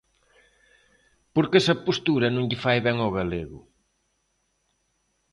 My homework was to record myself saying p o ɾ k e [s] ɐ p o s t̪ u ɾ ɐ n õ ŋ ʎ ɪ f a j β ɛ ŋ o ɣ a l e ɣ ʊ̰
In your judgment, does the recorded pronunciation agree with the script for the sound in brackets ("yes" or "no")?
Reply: yes